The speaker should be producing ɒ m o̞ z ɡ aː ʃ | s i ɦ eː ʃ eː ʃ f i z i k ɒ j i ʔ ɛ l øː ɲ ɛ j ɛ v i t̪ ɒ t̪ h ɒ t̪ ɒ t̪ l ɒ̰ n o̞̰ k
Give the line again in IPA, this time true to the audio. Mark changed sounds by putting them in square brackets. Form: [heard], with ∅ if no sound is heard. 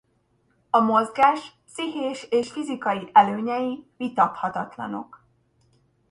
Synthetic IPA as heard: ɒ m o̞ z ɡ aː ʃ | s i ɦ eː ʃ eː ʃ f i z i k ɒ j i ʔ ɛ l øː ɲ ɛ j [i] v i t̪ ɒ t̪ h ɒ t̪ ɒ t̪ l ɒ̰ n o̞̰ k